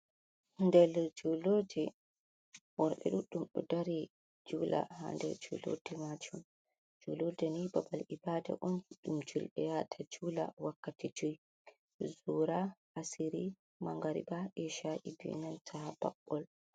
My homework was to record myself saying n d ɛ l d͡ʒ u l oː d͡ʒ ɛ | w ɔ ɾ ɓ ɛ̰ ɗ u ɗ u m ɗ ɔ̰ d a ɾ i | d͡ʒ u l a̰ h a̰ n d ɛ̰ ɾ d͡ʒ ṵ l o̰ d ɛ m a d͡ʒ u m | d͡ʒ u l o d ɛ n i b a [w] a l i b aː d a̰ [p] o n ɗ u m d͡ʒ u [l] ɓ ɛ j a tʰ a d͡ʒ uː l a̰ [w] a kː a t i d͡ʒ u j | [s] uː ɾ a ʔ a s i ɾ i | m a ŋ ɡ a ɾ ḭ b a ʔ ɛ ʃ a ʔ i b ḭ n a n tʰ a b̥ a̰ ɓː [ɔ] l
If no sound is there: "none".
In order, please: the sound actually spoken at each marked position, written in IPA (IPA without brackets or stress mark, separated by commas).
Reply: b, ʔ, l, w, z, ɔ